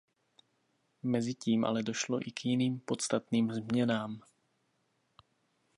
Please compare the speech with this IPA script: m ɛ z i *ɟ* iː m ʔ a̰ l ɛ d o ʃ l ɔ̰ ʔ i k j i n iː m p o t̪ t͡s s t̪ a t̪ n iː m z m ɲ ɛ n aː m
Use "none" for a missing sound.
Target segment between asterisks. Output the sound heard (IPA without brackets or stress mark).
c